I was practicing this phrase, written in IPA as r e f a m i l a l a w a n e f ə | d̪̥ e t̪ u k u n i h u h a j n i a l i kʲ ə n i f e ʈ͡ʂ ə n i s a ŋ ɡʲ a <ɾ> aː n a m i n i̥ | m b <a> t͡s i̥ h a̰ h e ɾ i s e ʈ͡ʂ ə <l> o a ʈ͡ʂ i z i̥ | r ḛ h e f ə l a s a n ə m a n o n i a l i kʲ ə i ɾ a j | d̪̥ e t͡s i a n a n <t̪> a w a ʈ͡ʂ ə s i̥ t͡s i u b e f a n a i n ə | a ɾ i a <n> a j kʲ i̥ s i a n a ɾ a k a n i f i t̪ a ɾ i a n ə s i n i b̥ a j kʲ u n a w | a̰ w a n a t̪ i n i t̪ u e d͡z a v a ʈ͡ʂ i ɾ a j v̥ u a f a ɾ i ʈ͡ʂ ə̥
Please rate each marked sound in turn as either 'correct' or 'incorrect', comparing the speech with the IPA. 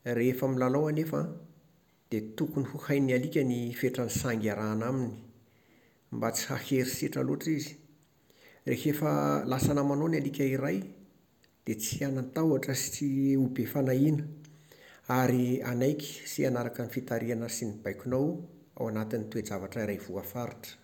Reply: correct, correct, correct, correct, correct

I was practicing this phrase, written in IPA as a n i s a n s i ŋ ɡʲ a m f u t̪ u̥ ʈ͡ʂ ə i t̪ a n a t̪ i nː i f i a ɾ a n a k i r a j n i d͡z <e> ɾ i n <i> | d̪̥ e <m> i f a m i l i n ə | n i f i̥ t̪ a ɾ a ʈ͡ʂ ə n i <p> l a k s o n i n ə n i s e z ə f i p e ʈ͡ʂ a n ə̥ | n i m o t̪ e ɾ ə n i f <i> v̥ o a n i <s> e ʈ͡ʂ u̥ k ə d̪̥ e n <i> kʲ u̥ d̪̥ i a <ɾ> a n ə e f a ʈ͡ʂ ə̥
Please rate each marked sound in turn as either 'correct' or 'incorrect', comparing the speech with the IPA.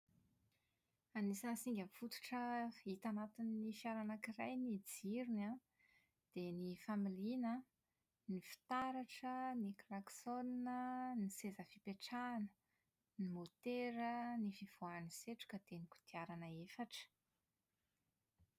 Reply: incorrect: i, incorrect: a, incorrect: n, incorrect: k, correct, correct, correct, correct

